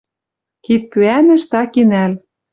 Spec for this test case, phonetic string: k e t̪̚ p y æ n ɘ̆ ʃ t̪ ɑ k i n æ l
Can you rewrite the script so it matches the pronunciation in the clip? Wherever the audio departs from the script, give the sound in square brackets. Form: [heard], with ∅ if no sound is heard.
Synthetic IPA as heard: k [i] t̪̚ p y æ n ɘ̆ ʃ t̪ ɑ k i n æ l